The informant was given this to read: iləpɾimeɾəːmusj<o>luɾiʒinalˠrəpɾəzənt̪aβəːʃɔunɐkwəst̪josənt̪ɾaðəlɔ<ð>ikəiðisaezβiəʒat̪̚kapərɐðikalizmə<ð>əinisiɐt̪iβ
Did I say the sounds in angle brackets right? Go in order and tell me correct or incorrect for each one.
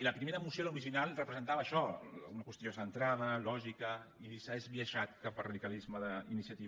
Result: correct, incorrect: ʒ, correct

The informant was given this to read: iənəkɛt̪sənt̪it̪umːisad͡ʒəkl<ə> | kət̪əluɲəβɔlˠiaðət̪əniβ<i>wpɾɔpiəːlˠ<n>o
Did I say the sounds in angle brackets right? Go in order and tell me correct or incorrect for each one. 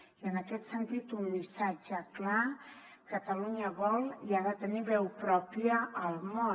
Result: incorrect: a, incorrect: ɛ, incorrect: m

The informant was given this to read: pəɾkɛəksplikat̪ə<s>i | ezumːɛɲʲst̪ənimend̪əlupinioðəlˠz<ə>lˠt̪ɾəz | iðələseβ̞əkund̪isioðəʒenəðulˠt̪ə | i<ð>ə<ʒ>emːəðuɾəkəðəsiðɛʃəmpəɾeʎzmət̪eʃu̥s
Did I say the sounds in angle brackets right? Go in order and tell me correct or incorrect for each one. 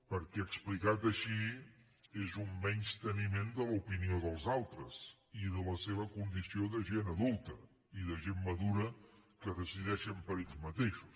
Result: incorrect: ʃ, incorrect: a, correct, correct

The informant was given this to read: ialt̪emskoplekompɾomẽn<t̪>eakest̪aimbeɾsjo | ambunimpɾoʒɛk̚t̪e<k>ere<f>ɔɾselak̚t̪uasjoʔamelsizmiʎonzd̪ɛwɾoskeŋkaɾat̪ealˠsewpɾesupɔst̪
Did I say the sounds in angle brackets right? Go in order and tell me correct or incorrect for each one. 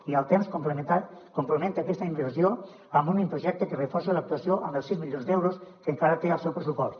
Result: correct, correct, correct

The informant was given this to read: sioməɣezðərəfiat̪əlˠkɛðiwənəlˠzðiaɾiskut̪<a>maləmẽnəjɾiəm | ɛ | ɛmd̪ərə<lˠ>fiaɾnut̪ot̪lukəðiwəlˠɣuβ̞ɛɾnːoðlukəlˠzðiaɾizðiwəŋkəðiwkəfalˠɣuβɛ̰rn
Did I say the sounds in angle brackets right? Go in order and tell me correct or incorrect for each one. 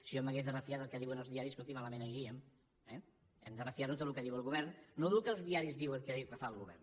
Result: incorrect: i, incorrect: none

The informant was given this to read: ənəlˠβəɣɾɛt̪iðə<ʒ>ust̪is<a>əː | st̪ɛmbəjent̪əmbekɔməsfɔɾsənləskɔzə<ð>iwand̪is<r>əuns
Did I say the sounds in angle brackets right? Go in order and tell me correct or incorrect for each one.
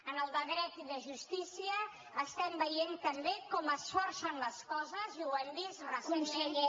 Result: correct, incorrect: i, incorrect: z, correct

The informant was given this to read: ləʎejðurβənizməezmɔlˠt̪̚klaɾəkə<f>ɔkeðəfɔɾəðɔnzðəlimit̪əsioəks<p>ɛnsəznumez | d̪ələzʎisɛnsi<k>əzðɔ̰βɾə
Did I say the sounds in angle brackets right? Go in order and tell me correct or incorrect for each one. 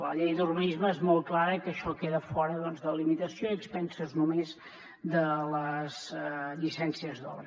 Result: incorrect: ʃ, correct, incorrect: none

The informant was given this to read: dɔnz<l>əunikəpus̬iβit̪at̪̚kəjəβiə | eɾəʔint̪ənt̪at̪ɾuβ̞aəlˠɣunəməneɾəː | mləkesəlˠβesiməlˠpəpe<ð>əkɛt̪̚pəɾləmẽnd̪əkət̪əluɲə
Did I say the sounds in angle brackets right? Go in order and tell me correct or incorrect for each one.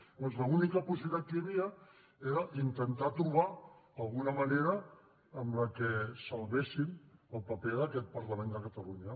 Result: correct, correct

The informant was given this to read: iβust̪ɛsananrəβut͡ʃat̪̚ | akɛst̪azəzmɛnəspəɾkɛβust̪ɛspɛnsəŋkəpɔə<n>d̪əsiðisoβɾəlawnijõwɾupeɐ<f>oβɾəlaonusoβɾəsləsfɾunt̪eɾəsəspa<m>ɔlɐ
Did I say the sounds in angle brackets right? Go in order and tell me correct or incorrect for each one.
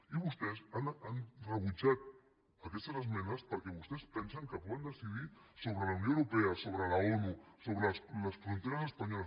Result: correct, incorrect: s, incorrect: ɲ

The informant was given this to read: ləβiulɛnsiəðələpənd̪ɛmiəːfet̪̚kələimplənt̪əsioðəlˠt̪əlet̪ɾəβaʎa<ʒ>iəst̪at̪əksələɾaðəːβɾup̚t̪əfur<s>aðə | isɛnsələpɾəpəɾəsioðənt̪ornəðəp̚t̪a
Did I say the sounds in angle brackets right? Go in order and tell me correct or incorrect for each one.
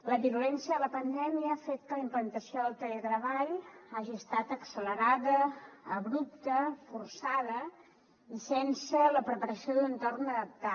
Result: correct, correct

